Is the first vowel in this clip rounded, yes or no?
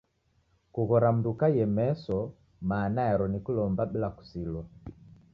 yes